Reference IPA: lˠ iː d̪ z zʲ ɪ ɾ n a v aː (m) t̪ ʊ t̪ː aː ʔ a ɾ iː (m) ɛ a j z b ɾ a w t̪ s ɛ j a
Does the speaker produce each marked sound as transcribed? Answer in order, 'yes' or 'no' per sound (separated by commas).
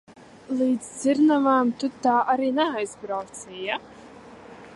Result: yes, no